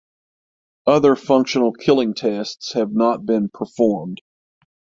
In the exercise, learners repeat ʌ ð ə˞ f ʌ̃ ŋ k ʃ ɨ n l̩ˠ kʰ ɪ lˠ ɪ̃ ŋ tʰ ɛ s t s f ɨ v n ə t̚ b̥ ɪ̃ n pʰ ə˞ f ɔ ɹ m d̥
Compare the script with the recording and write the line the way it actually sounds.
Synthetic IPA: ʌ ð ə˞ f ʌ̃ ŋ k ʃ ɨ n l̩ˠ kʰ ɪ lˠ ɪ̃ ŋ tʰ ɛ s t s h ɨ v n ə t̚ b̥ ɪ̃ n pʰ ə˞ f ɔ ɹ m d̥